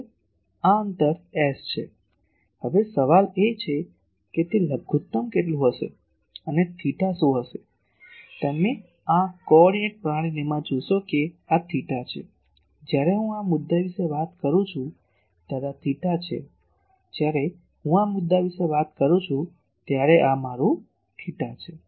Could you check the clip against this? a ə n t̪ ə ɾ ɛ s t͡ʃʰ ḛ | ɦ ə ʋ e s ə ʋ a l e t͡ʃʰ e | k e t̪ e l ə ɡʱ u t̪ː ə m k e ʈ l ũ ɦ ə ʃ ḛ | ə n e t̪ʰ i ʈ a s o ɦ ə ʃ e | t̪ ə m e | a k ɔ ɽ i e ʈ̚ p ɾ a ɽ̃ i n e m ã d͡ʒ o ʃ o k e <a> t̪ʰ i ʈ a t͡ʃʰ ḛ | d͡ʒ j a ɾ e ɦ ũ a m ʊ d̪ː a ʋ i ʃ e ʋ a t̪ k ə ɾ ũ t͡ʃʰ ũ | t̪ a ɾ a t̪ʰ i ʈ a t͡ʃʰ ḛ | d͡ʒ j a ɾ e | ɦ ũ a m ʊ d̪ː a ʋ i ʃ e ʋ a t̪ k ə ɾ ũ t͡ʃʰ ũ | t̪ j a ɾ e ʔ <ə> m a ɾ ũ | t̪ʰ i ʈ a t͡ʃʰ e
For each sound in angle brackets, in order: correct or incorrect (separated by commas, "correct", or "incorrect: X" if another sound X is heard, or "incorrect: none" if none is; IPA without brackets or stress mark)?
correct, incorrect: a